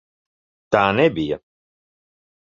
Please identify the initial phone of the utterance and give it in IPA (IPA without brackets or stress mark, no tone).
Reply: t̪